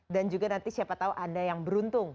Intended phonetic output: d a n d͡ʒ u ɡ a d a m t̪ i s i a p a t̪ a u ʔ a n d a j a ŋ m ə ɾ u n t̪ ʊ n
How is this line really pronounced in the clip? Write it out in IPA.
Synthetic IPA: d a n d͡ʒ u ɡ a n a n t̪ i s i a p a t̪ a u ʔ a n d a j a ŋ b ə ɾ u n t̪ ʊ ŋ